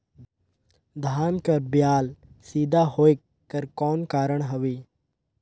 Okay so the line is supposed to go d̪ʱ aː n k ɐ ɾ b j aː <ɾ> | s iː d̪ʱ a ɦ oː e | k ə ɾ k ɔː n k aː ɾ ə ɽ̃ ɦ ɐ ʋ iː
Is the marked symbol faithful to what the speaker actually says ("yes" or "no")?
no